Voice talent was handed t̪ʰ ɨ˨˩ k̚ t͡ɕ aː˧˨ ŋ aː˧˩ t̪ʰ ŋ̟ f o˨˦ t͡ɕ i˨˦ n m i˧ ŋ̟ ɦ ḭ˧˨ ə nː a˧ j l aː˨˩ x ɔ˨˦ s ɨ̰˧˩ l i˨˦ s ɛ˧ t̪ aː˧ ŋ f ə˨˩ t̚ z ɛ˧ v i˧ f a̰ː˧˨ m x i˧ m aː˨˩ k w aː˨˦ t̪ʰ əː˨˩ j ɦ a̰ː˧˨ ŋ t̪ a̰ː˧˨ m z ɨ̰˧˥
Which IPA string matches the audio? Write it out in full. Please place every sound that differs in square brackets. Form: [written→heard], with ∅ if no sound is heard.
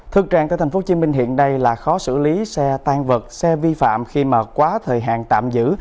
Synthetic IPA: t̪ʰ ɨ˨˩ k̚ t͡ɕ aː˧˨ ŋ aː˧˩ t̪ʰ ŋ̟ f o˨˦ t͡ɕ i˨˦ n m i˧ ŋ̟ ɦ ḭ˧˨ ə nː a˧ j l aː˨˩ x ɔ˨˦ s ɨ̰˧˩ l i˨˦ s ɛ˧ t̪ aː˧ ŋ [f→v] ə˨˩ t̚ [z→s] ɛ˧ v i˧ f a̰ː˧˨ m x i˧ m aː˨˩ k w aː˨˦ t̪ʰ əː˨˩ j ɦ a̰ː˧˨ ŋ t̪ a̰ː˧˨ m z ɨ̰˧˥